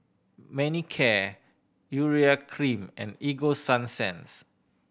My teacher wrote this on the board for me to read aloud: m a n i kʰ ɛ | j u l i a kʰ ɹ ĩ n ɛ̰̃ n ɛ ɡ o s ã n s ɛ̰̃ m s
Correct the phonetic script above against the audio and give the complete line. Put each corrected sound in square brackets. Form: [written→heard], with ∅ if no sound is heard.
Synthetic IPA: m [a→ɛ] n i kʰ ɛ | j u [l→ɹ] i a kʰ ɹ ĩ [n→m] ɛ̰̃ n [ɛ→i] ɡ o s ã n s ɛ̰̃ [m→n] s